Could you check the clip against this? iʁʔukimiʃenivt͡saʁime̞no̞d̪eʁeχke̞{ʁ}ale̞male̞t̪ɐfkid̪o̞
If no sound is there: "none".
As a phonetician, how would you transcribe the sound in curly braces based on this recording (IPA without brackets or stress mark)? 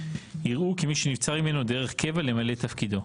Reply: v